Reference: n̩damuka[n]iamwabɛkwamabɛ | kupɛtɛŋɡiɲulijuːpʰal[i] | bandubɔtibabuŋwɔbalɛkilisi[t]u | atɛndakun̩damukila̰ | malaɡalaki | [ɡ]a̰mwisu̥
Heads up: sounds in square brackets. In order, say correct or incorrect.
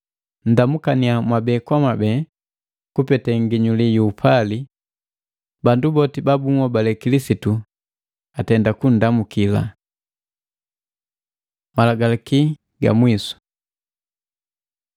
correct, correct, correct, correct

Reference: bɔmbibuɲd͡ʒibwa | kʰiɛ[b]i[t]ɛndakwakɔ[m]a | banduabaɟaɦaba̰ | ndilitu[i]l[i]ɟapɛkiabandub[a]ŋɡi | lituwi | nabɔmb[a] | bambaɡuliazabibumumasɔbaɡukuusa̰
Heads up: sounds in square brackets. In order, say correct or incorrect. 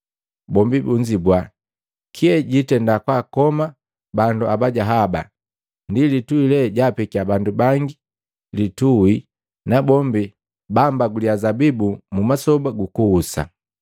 incorrect, correct, correct, correct, incorrect, correct, incorrect

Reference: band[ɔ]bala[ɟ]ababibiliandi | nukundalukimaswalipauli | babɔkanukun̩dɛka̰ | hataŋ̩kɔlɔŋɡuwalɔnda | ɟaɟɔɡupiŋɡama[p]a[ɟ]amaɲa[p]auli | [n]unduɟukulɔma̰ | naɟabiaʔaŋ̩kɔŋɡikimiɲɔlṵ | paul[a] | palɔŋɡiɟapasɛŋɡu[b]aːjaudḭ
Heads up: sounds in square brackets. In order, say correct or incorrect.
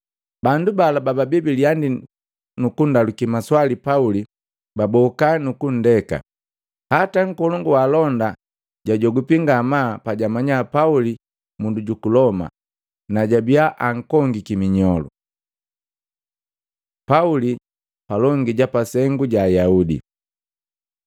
incorrect, incorrect, correct, correct, correct, incorrect, incorrect, incorrect

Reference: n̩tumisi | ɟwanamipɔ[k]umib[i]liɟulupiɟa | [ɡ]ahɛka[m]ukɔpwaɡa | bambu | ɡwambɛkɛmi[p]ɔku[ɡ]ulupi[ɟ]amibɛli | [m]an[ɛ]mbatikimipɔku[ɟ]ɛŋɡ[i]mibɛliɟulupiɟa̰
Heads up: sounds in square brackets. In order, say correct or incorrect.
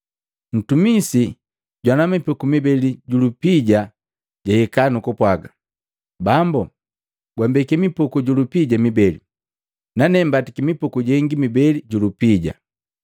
correct, incorrect, incorrect, incorrect, correct, incorrect, correct, incorrect, correct, correct, correct

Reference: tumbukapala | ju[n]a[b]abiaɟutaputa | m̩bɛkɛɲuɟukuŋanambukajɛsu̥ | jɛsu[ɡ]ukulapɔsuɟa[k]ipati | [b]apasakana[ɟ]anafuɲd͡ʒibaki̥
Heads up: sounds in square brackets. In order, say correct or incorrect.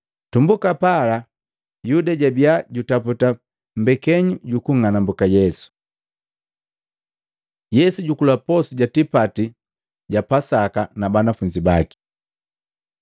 incorrect, incorrect, incorrect, incorrect, incorrect, incorrect

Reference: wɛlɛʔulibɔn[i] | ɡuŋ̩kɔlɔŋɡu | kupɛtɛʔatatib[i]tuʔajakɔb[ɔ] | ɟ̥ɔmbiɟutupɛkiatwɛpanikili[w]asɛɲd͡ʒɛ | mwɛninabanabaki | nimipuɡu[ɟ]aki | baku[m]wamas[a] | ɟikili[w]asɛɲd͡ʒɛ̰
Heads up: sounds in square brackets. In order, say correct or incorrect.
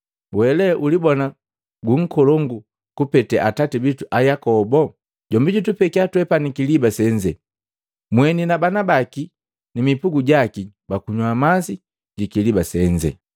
incorrect, correct, correct, incorrect, correct, incorrect, incorrect, incorrect

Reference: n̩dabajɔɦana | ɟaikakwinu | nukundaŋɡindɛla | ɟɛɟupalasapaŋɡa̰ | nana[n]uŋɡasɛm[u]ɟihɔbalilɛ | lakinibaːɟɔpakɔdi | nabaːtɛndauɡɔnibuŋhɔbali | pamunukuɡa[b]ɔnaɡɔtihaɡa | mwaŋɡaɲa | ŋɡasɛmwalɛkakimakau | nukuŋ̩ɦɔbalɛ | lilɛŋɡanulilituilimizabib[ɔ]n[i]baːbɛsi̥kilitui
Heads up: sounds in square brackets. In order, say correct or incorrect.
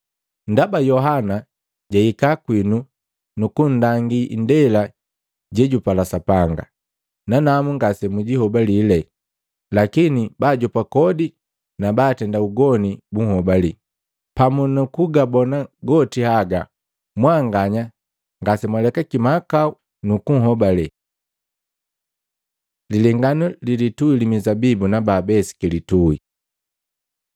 incorrect, correct, correct, incorrect, incorrect

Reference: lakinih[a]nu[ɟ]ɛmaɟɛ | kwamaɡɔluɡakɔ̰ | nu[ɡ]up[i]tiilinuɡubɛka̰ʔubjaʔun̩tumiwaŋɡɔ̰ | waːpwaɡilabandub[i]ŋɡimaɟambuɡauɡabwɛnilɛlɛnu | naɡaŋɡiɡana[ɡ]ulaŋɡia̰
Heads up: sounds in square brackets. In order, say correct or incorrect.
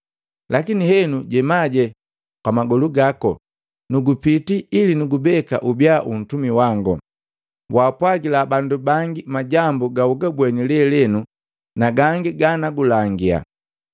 incorrect, correct, correct, correct, incorrect, correct

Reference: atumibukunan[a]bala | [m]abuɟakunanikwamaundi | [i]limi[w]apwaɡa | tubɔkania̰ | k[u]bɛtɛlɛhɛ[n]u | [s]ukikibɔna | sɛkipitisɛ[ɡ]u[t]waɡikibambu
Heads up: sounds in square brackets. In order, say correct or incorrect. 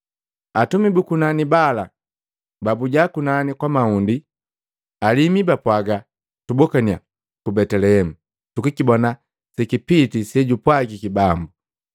incorrect, incorrect, incorrect, incorrect, correct, incorrect, incorrect, incorrect, incorrect

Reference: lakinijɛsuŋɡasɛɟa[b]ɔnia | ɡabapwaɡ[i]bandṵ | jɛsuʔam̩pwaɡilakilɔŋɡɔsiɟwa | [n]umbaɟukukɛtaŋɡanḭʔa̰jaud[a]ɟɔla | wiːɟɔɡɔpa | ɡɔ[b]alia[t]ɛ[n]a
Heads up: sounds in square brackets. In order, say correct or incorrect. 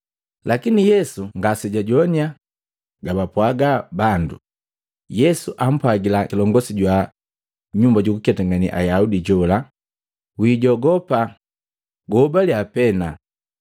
incorrect, incorrect, incorrect, incorrect, correct, incorrect, correct

